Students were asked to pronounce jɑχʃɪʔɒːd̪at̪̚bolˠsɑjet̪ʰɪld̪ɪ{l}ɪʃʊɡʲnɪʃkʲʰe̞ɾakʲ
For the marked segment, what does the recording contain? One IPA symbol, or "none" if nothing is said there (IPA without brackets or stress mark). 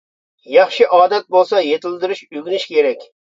ɾ